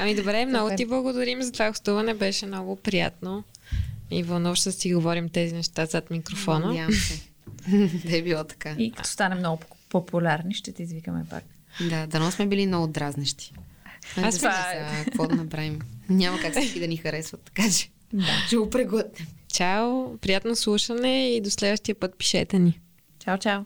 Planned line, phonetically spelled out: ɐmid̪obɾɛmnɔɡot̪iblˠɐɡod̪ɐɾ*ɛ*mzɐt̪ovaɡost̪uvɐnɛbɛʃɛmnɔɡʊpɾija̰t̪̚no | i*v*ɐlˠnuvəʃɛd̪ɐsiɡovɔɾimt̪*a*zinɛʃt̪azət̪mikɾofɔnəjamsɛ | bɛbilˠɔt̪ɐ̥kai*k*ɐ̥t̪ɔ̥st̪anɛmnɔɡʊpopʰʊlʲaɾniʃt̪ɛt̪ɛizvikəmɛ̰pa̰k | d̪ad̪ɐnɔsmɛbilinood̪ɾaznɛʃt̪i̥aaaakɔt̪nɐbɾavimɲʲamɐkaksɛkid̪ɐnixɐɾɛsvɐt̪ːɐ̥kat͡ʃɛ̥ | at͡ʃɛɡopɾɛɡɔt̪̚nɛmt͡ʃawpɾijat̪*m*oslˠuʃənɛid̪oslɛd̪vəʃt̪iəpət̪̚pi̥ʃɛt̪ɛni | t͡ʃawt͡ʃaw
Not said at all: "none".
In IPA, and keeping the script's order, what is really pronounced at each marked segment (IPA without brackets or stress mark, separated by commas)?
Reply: i, v, ɛ, k, n